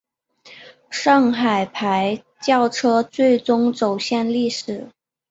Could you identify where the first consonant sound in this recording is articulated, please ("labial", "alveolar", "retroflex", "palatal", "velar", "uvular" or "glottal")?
retroflex